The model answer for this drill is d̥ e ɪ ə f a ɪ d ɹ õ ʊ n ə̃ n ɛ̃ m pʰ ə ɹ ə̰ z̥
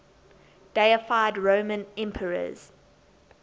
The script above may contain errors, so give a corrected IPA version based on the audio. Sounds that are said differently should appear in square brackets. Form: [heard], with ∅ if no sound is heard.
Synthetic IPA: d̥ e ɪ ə f a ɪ d ɹ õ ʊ [m] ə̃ n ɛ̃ m pʰ ə ɹ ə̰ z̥